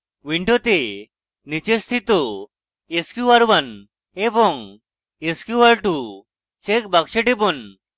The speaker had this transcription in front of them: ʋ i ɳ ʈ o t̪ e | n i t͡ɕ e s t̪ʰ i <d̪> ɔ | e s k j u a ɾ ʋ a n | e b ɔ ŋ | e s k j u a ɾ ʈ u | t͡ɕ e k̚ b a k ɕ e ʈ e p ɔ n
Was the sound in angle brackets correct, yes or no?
no